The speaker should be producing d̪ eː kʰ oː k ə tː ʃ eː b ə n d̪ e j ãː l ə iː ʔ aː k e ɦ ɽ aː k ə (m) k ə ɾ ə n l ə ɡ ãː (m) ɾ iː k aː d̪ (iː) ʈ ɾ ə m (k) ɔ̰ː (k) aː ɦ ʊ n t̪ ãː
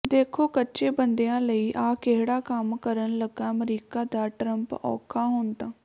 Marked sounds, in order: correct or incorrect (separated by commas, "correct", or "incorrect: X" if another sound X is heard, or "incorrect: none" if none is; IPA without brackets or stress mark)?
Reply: correct, correct, incorrect: aː, incorrect: p, incorrect: kʰ